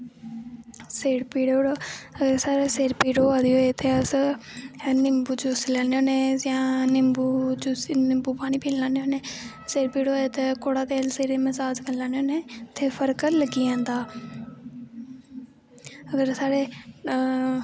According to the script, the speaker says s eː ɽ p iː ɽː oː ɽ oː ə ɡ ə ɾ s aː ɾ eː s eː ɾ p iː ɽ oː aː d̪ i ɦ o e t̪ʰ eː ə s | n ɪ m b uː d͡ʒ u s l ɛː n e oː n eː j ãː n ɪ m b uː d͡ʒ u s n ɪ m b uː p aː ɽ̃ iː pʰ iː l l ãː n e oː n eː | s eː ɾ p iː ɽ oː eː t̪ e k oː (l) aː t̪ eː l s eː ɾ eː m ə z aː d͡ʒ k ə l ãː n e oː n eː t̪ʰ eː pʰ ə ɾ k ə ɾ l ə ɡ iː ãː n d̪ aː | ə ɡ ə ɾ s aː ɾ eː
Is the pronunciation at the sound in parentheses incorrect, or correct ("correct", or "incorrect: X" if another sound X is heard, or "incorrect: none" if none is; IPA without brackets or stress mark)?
incorrect: ɽ